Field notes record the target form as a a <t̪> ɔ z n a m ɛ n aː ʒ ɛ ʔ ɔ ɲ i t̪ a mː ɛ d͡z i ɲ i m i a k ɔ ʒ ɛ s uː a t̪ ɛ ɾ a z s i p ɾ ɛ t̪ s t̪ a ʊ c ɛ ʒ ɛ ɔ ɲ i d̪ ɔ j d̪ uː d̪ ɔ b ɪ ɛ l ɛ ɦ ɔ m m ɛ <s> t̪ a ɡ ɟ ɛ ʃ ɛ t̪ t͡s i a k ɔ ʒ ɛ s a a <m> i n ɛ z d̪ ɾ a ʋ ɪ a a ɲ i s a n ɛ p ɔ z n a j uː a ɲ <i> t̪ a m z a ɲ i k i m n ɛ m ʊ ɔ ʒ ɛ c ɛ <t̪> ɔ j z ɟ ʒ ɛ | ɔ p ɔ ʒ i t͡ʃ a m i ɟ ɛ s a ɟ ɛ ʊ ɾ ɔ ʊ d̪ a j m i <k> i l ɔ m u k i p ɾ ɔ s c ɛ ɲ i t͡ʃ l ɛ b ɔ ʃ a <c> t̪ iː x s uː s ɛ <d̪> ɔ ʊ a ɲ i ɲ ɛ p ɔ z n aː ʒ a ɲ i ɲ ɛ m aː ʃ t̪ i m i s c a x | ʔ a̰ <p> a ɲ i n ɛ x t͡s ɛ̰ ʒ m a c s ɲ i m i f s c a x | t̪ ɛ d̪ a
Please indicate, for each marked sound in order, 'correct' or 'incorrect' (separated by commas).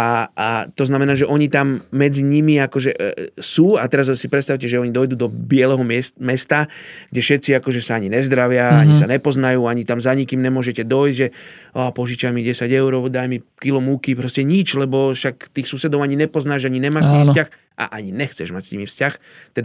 correct, correct, incorrect, correct, incorrect, correct, incorrect, correct, incorrect